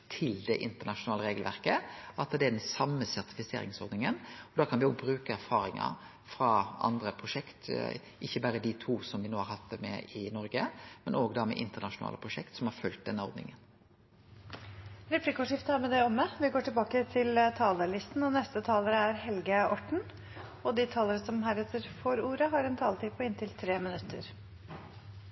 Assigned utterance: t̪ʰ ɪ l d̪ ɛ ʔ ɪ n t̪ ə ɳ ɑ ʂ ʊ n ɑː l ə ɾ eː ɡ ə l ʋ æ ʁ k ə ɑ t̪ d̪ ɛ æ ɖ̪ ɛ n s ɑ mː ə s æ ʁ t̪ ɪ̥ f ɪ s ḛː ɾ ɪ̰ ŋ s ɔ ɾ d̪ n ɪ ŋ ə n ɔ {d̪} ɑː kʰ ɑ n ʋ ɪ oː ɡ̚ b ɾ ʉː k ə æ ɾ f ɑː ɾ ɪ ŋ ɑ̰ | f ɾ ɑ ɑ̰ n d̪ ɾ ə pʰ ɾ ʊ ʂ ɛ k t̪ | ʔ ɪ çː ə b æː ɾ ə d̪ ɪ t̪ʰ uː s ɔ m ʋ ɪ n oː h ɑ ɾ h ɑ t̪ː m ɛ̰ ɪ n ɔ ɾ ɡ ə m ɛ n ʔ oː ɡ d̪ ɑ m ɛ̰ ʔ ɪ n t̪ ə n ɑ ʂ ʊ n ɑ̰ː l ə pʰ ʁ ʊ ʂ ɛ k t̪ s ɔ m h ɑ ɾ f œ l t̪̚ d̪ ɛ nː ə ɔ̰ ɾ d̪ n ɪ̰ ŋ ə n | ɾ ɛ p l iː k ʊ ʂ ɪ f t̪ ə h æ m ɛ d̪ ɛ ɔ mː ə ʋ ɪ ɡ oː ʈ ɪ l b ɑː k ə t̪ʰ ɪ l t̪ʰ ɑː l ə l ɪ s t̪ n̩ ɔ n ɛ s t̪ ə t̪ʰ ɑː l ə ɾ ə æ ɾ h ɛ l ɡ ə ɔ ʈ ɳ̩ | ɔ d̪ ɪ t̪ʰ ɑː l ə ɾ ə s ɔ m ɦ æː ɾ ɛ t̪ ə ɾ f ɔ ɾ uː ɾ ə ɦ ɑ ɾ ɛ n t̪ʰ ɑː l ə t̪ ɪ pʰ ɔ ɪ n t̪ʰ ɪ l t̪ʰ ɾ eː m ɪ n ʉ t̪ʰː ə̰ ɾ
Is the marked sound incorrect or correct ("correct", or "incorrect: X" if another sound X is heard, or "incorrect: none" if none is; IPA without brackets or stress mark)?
correct